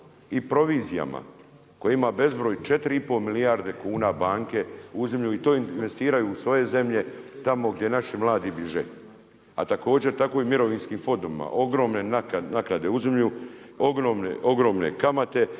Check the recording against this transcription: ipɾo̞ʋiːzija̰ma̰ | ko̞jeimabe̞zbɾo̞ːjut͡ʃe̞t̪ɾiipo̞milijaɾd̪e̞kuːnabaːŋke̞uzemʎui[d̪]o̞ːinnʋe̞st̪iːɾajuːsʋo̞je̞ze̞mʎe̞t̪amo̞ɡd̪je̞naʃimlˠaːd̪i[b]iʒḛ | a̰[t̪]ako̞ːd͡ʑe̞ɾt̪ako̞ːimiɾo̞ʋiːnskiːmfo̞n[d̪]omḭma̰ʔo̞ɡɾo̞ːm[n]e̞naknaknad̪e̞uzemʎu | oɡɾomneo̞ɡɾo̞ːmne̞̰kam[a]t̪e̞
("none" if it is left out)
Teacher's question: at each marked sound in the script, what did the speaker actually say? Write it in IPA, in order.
t̪, b, t̪, d̪, n, a

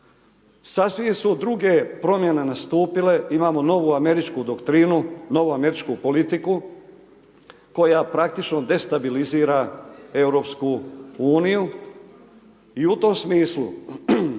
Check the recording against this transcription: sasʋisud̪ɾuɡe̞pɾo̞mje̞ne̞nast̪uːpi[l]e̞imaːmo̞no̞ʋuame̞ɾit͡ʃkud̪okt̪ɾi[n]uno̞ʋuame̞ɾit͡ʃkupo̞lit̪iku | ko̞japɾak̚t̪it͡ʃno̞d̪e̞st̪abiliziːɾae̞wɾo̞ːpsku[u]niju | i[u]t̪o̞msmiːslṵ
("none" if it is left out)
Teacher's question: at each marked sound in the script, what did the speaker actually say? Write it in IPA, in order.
l, n, uː, u

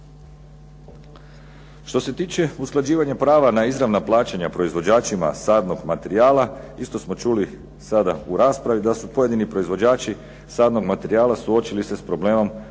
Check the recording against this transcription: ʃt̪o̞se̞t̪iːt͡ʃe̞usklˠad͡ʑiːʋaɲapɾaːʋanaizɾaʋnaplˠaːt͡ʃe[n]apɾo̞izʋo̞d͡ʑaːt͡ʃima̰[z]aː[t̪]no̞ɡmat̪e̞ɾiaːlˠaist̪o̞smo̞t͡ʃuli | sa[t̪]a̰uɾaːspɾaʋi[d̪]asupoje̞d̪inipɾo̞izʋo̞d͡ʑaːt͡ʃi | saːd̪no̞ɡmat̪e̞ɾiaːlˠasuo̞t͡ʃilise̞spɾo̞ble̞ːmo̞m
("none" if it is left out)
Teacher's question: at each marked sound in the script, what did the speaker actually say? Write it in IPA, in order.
ɲ, s, d̪, d̪, d̪

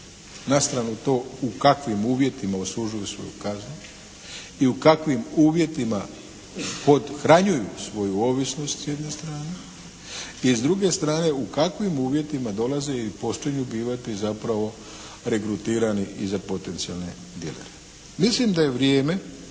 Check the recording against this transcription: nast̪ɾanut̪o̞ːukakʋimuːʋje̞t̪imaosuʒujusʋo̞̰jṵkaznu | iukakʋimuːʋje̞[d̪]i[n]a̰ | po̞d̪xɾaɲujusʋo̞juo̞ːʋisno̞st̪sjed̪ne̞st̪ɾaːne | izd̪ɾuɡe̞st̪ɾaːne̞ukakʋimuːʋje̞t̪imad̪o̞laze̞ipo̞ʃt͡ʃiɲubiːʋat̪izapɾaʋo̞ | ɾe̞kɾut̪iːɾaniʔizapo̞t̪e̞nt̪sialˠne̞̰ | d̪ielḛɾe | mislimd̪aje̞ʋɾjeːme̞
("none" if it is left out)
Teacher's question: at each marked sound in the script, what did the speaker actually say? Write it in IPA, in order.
t̪, m

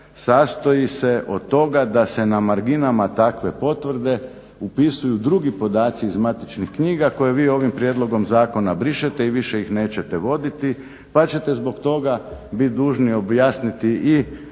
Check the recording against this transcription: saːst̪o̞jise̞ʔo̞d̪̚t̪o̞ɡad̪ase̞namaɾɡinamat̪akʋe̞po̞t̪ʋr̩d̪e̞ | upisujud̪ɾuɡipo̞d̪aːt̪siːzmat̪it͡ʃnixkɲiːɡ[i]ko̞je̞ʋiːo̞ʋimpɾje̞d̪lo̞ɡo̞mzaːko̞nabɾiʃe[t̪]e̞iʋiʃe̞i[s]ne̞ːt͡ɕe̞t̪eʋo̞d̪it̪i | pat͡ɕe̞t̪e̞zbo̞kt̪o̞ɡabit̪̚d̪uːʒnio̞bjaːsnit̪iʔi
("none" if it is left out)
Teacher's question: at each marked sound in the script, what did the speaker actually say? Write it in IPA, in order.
a, t̪, x

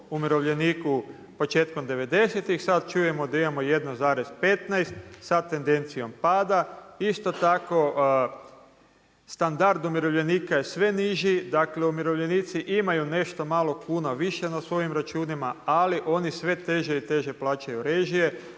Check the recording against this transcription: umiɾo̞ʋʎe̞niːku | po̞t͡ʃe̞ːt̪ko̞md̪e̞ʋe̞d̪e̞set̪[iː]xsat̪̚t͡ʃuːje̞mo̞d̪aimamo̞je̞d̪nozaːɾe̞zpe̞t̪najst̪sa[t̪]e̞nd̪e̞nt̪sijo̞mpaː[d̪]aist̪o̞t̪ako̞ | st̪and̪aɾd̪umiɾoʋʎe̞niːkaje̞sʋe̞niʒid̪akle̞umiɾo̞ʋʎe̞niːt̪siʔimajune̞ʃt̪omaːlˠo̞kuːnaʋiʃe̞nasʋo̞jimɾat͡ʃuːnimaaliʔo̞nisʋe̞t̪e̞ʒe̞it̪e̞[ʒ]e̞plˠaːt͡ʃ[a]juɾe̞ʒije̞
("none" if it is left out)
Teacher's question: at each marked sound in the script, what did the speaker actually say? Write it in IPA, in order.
i, t̪, d̪, ʒ, a

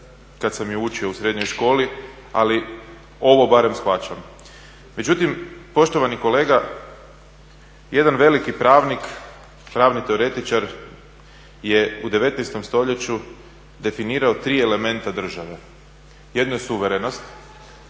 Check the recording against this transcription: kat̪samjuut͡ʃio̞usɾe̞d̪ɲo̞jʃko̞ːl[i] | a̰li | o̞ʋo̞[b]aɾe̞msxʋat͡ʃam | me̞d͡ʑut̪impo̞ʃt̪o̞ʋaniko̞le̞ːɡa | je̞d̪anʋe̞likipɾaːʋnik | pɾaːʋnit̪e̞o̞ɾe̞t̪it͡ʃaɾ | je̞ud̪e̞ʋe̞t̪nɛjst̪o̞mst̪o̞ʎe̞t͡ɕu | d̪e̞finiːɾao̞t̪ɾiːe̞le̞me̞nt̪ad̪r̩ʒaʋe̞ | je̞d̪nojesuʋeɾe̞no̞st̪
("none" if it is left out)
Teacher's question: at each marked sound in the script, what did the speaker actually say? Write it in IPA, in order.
i, b

